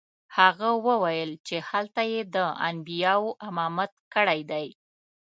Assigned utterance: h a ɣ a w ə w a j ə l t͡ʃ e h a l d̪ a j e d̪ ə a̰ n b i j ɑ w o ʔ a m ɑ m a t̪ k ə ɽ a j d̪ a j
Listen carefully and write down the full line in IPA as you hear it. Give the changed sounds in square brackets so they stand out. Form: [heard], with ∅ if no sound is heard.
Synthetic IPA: h a ɣ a w ə w a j ə l t͡ʃ e h a l [t̪] a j e d̪ ə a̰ n b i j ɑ w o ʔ a m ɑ m a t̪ k ə ɽ a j d̪ a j